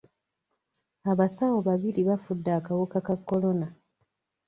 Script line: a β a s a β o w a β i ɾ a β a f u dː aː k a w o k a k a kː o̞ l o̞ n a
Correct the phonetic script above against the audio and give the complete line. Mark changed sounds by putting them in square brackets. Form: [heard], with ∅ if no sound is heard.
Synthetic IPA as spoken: a β a s a [w] o [β] a β i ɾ [i] β a f u dː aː k a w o k a k a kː o̞ l o̞ n a